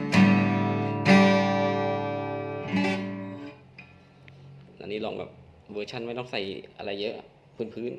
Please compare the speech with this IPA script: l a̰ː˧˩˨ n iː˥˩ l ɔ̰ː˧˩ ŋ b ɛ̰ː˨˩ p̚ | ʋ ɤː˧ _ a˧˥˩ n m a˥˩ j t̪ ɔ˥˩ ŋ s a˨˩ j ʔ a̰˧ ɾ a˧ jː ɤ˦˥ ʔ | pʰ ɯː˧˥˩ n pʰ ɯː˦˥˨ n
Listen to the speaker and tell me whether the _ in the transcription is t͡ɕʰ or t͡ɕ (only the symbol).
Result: t͡ɕʰ